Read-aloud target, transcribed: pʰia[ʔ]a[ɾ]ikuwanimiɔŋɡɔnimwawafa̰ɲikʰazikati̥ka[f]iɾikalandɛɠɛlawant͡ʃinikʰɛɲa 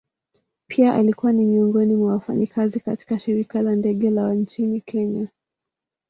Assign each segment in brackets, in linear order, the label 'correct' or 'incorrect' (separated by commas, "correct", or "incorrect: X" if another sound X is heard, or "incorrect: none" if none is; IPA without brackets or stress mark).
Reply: correct, incorrect: l, incorrect: ʃ